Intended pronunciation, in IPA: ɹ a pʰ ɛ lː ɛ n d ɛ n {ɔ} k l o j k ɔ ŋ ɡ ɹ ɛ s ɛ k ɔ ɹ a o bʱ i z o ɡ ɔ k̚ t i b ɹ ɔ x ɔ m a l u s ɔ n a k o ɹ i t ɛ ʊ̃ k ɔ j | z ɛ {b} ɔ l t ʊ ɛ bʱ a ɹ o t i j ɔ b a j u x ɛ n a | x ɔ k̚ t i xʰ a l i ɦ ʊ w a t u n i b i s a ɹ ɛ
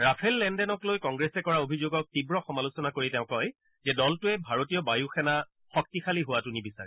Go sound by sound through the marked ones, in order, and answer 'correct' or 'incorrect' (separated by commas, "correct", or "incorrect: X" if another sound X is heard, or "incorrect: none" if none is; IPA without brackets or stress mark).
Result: correct, incorrect: d